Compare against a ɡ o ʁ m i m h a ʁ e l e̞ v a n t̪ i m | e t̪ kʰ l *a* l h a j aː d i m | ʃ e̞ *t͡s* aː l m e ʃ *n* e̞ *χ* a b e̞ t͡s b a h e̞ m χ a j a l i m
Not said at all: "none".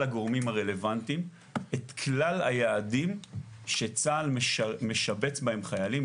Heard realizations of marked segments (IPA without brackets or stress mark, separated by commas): a, t͡s, m, ʃ